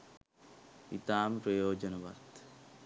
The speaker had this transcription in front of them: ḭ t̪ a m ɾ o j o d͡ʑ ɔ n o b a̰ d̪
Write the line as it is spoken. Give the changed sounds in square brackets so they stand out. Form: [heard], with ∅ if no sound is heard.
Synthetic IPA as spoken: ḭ t̪ a m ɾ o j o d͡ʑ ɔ n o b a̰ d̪

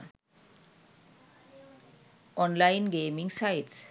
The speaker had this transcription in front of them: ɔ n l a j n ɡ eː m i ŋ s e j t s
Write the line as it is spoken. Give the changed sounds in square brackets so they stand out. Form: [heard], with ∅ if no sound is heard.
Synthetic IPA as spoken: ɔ n l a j n ɡ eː m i ŋ s [a] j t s

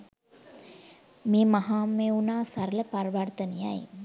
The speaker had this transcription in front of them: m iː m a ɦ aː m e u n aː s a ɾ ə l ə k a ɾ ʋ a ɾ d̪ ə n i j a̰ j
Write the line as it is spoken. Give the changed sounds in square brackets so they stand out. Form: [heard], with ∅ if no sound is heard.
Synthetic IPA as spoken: m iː m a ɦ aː m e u n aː s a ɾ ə l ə [p] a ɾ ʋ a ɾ [t̪] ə n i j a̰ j

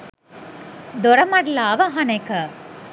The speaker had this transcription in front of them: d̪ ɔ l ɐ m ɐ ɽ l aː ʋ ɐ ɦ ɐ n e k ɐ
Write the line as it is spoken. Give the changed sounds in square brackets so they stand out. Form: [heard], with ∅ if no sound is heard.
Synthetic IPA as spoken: d̪ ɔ [ɾ] ɐ m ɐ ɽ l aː ʋ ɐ ɦ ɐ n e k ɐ

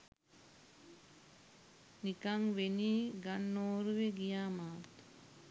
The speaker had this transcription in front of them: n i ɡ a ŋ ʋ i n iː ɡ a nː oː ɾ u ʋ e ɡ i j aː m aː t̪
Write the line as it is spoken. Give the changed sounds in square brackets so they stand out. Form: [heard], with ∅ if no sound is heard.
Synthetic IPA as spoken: n i [k] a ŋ ʋ [e] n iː ɡ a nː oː ɾ u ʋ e ɡ i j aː m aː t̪

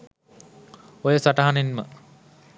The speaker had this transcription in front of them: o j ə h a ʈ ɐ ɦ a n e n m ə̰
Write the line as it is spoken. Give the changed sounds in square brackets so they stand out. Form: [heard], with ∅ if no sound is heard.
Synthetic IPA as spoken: o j ə [s] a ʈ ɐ ɦ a n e n m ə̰

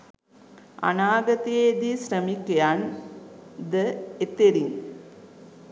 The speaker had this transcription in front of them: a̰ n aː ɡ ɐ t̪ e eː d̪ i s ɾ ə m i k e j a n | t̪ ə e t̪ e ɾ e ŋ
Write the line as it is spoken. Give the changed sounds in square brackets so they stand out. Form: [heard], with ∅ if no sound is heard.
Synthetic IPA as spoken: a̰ n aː ɡ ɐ t̪ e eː d̪ i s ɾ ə m i k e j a n | [d̪] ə e t̪ e ɾ [i] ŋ

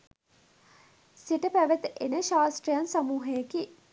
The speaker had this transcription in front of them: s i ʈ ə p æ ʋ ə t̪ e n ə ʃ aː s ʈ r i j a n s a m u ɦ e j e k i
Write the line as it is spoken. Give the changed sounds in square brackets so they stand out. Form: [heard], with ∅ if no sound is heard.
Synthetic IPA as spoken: s i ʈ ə p æ ʋ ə t̪ e n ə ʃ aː s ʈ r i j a n s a m [uː] ɦ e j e k i

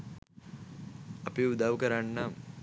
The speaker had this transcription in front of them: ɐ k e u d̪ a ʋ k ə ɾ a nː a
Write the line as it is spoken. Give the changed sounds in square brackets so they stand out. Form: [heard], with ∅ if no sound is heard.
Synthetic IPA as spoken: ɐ [p] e u d̪ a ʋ k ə ɾ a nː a

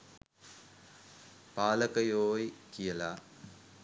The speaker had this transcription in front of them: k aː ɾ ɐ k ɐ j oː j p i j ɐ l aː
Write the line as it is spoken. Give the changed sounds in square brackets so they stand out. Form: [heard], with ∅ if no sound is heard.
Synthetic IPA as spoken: [p] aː [l] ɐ k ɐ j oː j [k] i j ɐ l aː

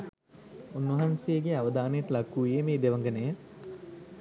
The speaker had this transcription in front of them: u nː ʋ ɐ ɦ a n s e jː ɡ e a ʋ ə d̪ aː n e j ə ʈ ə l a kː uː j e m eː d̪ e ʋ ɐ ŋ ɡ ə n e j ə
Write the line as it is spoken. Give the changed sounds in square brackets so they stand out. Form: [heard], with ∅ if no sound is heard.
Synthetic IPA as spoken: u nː ʋ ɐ ɦ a n s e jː ɡ e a ʋ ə d̪ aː n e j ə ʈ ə l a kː uː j e m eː d̪ e ʋ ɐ ŋ ɡ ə n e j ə

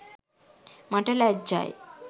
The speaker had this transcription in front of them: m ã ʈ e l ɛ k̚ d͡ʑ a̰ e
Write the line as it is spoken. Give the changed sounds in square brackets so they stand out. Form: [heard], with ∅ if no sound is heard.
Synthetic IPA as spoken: m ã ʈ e l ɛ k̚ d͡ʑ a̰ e

